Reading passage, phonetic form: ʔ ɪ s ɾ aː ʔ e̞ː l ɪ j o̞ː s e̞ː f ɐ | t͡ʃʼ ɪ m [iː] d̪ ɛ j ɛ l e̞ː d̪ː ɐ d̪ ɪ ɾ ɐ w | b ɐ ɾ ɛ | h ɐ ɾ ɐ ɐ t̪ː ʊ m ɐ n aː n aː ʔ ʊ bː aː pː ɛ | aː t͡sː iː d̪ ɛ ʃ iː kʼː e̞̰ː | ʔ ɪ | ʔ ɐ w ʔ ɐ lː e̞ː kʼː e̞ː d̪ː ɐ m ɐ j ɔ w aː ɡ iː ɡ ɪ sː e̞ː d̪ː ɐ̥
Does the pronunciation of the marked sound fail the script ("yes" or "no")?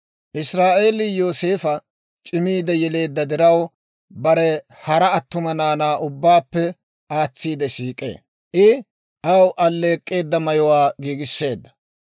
no